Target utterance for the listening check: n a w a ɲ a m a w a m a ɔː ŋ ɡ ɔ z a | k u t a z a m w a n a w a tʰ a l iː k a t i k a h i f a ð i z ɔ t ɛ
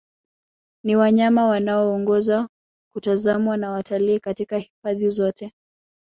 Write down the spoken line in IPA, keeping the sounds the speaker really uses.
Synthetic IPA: n i w a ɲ a m a w a n a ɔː ŋ ɡ ɔ z a | k u t a z a m w a n a w a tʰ a l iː k a t i k a h i f a ð i z ɔ t ɛ